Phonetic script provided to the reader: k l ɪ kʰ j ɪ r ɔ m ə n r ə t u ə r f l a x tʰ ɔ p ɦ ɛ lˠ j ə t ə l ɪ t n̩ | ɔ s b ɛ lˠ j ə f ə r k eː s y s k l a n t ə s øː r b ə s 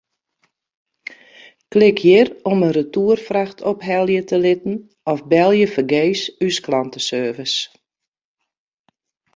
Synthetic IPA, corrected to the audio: k l ɪ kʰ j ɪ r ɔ m ə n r ə t u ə r f r a x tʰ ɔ p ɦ ɛ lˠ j ə t ə l ɪ t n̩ | ɔ f b ɛ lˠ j ə f ə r ɡ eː s y s k l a n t ə s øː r v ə s